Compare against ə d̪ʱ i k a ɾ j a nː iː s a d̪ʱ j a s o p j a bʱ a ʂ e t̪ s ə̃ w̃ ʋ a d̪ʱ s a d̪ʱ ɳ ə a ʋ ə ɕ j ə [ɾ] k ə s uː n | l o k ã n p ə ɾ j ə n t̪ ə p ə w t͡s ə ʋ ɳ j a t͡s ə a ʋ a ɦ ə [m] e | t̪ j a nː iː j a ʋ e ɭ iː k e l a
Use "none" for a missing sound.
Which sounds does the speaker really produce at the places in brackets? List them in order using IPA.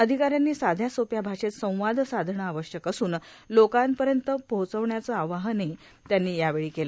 none, n

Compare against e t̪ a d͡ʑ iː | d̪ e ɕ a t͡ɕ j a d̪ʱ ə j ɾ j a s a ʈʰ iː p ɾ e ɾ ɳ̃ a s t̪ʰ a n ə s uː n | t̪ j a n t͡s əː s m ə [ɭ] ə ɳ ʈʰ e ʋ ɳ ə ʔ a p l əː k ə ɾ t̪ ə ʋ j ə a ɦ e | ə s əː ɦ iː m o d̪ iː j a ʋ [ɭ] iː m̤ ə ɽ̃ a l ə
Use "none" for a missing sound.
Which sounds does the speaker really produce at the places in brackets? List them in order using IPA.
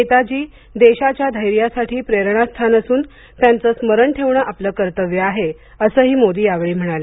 ɾ, ɭ

